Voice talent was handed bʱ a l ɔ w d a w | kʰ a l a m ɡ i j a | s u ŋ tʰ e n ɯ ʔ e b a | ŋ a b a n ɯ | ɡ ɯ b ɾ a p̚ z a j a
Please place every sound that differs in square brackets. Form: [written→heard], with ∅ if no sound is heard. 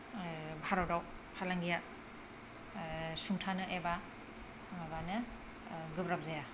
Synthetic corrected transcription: bʱ a [l→ɾ] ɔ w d a w | [kʰ→pʰ] a l a [m→ŋ] ɡ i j a | s u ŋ tʰ [e→a] n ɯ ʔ e b a | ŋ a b a n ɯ | ɡ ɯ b ɾ a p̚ z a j a